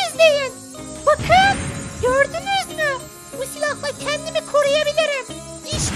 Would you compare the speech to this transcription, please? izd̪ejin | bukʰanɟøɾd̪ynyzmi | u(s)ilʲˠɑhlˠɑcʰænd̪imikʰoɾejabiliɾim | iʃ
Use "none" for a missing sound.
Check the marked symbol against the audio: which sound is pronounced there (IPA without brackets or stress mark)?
s